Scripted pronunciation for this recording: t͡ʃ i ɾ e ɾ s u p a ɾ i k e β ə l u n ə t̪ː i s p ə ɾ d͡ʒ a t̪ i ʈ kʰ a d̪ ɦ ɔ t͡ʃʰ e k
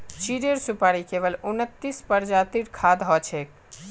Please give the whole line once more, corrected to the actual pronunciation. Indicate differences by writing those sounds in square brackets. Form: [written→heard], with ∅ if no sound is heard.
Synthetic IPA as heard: t͡ʃ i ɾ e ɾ s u p a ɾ i k e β ə l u n ə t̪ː i s p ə ɾ d͡ʒ a t̪ i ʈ kʰ a d̪ ɦ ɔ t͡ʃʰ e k